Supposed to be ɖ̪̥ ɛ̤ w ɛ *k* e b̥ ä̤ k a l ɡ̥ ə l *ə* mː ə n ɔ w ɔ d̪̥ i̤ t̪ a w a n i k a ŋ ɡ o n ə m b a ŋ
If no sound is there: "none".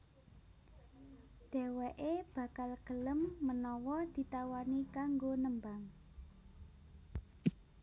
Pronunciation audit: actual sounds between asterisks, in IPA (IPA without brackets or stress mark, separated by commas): ʔ, ə